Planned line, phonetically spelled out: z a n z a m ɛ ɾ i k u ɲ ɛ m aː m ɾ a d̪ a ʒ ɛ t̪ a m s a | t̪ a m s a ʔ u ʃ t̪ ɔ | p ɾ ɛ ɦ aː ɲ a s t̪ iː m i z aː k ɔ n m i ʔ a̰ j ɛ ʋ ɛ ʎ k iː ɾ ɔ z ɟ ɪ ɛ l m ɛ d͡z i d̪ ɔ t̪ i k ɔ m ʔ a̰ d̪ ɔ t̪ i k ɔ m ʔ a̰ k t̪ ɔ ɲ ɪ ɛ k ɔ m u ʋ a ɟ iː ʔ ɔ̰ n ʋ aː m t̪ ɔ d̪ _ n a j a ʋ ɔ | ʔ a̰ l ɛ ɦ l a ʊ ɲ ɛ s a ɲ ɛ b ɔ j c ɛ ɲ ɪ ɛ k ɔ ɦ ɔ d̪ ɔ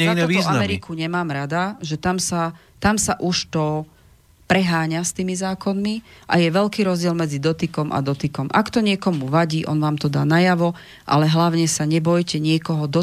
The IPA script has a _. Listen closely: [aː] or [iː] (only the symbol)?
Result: aː